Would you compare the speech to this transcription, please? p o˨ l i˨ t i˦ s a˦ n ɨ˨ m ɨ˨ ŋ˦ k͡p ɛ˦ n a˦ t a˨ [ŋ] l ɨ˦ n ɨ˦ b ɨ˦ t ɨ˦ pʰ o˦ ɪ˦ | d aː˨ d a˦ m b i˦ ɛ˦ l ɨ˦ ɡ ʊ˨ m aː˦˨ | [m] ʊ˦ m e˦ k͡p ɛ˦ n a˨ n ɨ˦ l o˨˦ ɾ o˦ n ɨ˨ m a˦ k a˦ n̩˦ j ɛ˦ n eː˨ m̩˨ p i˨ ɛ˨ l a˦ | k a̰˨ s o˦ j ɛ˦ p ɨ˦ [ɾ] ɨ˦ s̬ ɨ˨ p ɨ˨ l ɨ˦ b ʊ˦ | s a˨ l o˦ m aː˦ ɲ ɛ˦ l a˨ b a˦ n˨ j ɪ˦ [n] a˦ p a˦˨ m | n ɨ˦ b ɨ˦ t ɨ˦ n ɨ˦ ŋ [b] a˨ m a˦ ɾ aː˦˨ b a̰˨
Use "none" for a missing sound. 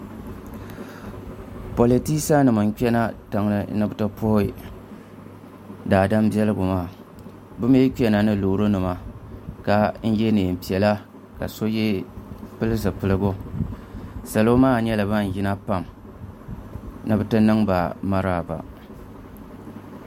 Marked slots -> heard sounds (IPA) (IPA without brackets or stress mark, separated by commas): ŋ, b, l, n, b